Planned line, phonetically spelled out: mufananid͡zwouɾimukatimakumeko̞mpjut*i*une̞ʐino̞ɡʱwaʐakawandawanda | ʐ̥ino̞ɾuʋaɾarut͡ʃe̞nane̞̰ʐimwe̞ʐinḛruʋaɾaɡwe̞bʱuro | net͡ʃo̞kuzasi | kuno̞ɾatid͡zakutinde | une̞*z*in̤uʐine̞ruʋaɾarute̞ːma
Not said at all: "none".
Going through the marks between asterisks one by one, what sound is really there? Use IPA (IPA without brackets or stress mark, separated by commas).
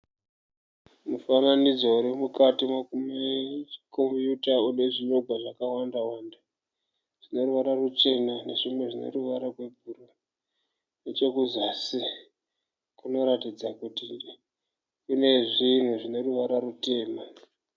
a, ʐ